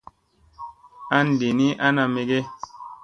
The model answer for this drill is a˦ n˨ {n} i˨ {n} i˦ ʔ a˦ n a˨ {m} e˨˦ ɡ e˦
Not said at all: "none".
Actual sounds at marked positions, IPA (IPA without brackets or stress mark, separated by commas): d, n, m